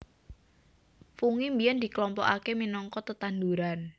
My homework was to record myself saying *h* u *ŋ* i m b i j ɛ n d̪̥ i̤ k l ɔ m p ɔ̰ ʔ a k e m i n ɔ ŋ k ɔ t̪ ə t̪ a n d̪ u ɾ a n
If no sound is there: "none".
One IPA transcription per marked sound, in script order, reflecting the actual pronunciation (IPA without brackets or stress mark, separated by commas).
f, ŋ